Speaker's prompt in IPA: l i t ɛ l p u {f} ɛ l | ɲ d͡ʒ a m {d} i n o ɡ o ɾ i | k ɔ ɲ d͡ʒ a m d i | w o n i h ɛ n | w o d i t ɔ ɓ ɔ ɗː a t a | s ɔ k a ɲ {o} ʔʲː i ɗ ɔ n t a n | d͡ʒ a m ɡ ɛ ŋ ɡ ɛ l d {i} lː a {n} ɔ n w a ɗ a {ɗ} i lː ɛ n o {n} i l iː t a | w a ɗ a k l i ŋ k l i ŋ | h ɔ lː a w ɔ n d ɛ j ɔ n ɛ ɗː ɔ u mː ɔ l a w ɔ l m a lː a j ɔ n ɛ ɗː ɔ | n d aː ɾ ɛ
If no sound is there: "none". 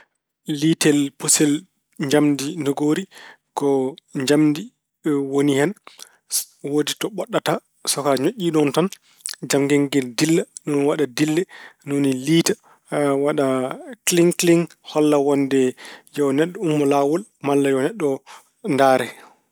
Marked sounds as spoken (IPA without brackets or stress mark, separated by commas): s, d, o, i, n, d, n